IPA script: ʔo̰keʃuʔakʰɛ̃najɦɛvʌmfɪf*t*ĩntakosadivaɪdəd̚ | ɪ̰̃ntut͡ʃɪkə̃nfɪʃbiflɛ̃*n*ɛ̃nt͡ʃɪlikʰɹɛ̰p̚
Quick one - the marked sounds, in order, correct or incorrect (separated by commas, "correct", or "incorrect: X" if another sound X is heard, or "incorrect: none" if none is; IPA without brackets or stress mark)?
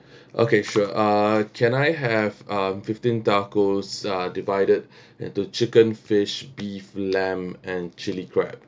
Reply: correct, incorrect: m